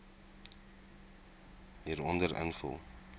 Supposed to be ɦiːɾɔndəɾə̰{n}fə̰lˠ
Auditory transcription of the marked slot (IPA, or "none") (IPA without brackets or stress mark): n